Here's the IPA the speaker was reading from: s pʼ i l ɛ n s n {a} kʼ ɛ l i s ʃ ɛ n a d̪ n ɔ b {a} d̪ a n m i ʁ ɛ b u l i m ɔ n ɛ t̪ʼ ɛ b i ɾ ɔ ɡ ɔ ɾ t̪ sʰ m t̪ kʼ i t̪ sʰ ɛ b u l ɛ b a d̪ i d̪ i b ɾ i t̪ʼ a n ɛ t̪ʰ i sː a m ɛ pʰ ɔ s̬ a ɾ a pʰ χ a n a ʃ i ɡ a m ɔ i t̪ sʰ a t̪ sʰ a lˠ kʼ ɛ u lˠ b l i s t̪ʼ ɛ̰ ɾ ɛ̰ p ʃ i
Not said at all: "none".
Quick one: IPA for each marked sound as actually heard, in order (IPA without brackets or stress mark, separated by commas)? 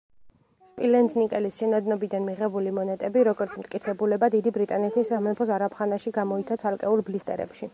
i, i